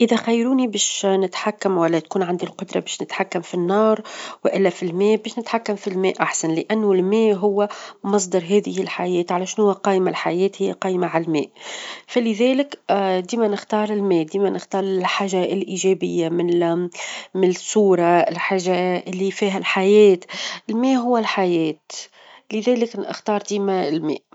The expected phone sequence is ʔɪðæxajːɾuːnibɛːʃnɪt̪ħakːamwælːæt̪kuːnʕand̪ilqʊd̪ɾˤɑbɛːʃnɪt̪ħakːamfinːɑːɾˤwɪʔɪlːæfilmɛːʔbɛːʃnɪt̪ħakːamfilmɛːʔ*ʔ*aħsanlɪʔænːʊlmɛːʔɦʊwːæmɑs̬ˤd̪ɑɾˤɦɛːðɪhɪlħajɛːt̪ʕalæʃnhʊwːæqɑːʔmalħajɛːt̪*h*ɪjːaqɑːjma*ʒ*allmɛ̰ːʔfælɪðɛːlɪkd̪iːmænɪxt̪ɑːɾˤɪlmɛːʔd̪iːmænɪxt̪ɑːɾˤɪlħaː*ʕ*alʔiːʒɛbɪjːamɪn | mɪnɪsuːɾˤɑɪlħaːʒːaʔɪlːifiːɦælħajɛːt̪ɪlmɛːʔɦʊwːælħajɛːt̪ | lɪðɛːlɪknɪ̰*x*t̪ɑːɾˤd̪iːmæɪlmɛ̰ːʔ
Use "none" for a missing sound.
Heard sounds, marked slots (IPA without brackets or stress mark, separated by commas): ʔ, h, ʕ, ʒ, x